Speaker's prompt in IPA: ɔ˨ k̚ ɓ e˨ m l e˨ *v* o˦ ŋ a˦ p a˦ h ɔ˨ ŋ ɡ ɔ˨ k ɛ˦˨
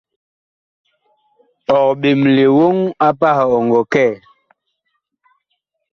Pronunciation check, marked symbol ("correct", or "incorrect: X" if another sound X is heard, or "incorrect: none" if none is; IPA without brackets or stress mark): incorrect: w